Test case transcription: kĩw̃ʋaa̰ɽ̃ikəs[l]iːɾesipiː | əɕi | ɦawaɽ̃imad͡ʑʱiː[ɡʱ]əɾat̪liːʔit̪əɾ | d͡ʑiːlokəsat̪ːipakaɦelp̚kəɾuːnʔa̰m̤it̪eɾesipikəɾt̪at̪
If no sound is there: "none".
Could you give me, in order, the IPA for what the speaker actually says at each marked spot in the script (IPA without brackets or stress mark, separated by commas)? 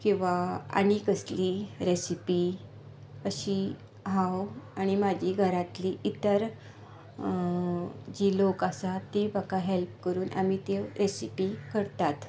l, ɡʱ